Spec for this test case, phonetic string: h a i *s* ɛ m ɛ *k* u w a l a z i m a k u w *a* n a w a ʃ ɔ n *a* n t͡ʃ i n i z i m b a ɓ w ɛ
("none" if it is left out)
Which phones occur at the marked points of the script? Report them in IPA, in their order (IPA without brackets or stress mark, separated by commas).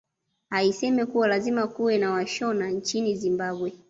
s, k, ɛ, a